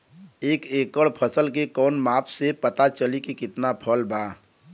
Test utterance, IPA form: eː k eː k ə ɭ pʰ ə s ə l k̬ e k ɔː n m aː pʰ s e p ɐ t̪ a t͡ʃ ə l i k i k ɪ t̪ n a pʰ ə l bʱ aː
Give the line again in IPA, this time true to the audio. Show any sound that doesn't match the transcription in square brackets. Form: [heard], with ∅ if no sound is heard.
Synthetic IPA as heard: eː k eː k ə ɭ pʰ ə s ə l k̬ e k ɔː n m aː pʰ s e p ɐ t̪ a t͡ʃ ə l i k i k ɪ t̪ n a pʰ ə l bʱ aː

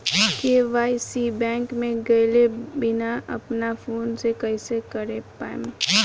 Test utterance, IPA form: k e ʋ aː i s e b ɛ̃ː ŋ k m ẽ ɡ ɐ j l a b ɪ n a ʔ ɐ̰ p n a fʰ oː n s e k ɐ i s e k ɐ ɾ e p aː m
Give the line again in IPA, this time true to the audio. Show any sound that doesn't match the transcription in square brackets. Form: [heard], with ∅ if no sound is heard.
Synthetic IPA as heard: k e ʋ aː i s [i] b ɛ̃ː ŋ k m ẽ ɡ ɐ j l [e] b ɪ n a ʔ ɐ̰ p n a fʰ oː n s e k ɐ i s e k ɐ ɾ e p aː m

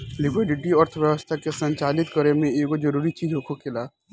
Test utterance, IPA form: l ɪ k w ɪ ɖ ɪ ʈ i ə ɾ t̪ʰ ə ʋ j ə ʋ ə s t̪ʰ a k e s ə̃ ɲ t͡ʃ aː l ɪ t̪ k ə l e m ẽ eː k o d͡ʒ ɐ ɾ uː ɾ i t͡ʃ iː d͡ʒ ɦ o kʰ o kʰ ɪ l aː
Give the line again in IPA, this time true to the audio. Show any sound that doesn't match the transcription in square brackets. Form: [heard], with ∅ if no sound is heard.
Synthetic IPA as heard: l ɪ k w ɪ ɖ ɪ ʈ i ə ɾ t̪ʰ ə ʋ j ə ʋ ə s t̪ʰ a k e s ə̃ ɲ t͡ʃ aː l ɪ t̪ k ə [ɾ] e m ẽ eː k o d͡ʒ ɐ ɾ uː ɾ i t͡ʃ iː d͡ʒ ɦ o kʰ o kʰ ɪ l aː

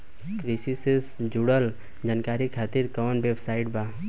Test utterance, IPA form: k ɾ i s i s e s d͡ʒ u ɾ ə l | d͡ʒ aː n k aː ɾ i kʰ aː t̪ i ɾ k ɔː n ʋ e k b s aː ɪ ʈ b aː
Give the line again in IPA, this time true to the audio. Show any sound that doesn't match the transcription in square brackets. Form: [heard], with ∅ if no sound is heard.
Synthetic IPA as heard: k ɾ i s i s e s d͡ʒ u [ɽ] ə l | d͡ʒ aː n k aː ɾ i kʰ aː t̪ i ɾ k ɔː n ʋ e [∅] b s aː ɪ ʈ b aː

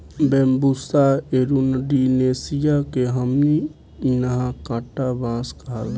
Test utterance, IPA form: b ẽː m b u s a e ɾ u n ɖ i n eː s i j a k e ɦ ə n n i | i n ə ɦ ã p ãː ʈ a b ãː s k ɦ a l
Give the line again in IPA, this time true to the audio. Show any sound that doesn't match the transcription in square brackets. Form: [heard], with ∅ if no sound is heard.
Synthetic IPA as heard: b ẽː m b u s a e ɾ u n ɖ i n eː s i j a k e ɦ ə [m] n i | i n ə ɦ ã [k] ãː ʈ a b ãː s k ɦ a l

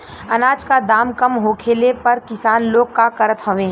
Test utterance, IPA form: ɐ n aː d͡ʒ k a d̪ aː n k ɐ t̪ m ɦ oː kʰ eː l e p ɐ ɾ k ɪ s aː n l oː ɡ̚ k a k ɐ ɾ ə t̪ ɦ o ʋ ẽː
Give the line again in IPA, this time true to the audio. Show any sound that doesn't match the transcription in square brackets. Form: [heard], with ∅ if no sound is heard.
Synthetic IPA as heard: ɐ n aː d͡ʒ k a d̪ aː [m] k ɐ [∅] m ɦ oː kʰ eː l e p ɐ ɾ k ɪ s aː n l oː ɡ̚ k a k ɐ ɾ ə t̪ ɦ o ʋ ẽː

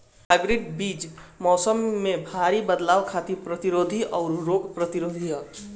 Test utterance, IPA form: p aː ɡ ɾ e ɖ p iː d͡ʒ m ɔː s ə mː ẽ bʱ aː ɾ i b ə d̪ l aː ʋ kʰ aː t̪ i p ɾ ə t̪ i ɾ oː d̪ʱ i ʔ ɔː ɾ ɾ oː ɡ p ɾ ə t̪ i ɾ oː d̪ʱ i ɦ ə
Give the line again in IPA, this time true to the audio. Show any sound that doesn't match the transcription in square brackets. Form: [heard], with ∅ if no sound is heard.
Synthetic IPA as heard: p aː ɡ ɾ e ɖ [b] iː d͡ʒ m ɔː s ə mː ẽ bʱ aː ɾ i b ə d̪ l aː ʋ kʰ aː t̪ i p ɾ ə t̪ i ɾ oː d̪ʱ i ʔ ɔː ɾ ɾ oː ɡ p ɾ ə t̪ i ɾ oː d̪ʱ i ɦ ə

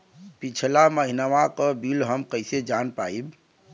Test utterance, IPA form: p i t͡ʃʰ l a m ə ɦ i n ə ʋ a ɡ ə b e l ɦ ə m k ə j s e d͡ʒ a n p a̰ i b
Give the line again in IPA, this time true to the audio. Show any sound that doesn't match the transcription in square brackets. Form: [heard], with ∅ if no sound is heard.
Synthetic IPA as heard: p i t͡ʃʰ l a m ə ɦ i n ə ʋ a [k] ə b [i] l ɦ ə m k ə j s e d͡ʒ a n p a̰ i b

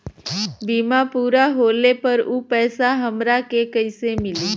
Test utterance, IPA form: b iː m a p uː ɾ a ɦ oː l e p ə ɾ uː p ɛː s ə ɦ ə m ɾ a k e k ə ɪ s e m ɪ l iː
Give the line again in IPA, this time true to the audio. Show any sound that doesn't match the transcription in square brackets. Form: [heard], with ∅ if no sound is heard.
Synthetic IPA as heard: b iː m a p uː ɾ a ɦ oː l e p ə ɾ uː p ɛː s [a] ɦ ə m ɾ a k e k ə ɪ s e m ɪ l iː

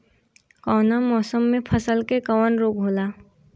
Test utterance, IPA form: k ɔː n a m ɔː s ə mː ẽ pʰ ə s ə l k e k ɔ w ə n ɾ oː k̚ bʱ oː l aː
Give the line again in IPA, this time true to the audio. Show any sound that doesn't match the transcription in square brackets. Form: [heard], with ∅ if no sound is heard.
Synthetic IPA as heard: k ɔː n a m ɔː s ə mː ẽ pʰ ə s ə l k e k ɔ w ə n ɾ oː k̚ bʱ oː l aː

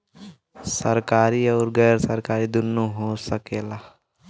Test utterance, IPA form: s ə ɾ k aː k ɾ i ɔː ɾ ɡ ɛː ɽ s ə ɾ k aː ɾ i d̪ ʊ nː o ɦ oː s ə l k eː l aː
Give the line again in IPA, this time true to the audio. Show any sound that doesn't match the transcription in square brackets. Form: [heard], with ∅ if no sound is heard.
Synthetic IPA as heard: s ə ɾ k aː [∅] ɾ i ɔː ɾ ɡ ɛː [ɾ] s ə ɾ k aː ɾ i d̪ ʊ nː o ɦ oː s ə [∅] k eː l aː

